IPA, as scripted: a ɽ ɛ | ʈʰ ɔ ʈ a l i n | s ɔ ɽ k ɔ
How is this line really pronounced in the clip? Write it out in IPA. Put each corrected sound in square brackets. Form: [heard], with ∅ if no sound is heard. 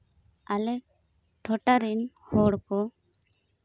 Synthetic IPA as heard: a [l] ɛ | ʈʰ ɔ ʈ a [ɾ] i n | [h] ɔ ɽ k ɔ